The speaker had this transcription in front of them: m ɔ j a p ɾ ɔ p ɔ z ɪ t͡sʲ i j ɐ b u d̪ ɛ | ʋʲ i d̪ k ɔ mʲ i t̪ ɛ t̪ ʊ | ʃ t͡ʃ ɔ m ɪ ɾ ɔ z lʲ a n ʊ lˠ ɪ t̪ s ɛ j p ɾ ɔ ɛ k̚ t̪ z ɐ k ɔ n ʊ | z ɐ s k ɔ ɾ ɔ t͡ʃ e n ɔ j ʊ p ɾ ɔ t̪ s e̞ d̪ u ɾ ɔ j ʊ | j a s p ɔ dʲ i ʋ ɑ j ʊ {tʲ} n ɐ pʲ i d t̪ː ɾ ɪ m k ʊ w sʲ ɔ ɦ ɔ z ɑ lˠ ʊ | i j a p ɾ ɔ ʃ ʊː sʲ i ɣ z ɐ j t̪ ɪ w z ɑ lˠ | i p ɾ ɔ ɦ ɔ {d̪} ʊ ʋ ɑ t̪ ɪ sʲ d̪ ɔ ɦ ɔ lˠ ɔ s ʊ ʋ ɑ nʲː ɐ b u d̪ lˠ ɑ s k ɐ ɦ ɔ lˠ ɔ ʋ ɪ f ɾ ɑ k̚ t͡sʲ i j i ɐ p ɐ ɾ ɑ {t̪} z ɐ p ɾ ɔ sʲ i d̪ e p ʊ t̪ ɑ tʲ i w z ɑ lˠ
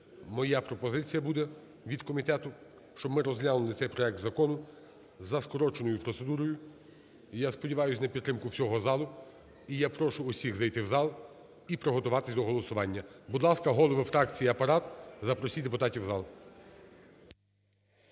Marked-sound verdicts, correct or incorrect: incorrect, incorrect, correct

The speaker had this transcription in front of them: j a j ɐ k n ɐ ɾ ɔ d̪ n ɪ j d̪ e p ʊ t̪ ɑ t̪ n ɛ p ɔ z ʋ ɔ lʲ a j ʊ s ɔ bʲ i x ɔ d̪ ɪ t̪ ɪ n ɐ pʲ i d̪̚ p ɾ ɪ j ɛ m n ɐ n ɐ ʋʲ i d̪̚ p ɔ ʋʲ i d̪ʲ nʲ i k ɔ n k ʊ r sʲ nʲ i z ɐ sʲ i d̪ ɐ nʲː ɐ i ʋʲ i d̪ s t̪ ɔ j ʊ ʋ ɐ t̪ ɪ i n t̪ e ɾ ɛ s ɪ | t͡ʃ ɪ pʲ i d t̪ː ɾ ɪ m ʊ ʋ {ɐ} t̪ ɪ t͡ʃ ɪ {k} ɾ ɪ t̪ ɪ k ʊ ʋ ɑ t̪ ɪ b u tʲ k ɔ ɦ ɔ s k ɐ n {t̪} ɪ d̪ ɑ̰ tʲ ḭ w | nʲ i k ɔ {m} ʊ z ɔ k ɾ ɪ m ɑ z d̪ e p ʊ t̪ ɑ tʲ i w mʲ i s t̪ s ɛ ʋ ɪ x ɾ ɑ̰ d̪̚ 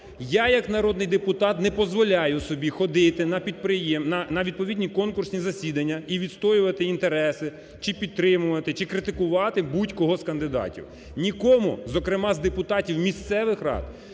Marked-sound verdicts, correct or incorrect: correct, correct, incorrect, correct

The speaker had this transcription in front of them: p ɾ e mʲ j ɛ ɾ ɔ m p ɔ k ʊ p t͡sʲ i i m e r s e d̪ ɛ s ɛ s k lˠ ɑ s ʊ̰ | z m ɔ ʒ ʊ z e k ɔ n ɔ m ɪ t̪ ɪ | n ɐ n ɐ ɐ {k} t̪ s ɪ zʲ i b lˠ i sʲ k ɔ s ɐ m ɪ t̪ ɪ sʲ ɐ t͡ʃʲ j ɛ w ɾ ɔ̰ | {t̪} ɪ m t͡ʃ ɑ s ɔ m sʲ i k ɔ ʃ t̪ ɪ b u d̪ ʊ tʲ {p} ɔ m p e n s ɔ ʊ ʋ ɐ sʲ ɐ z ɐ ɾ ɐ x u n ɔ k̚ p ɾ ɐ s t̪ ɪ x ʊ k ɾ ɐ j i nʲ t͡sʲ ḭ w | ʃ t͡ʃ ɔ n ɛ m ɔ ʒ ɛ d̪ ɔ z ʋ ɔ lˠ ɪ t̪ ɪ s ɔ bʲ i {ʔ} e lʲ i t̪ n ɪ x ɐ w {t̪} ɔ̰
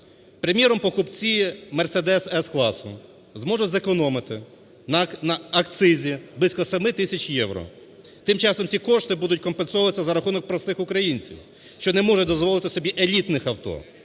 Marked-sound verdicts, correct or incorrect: correct, correct, incorrect, correct, correct

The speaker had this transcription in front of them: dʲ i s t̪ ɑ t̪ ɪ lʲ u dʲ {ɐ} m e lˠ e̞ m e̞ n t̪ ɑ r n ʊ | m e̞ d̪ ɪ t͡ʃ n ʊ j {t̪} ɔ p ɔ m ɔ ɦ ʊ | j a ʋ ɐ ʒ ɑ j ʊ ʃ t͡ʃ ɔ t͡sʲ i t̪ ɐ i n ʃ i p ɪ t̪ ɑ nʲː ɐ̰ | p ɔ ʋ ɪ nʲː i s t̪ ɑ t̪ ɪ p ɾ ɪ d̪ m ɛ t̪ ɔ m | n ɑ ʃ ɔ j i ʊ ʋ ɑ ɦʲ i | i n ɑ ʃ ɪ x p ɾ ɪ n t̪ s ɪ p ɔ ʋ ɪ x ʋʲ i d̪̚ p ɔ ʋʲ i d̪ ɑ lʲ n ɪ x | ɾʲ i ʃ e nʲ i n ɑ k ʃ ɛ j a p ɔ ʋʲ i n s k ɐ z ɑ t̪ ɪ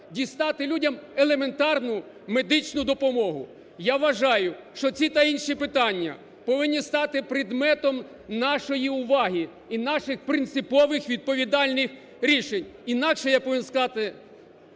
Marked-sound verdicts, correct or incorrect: correct, incorrect

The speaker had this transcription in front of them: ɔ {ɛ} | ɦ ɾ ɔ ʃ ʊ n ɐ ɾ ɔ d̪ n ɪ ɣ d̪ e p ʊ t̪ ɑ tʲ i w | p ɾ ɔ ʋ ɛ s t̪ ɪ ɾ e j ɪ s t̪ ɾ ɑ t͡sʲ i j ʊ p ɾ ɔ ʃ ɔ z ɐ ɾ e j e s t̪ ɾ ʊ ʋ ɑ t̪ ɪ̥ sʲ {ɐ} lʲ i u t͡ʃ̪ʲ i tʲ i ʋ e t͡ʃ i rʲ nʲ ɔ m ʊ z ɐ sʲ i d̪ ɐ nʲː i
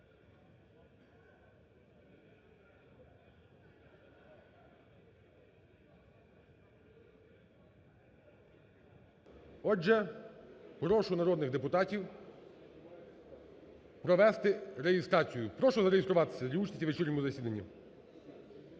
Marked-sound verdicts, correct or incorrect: correct, correct

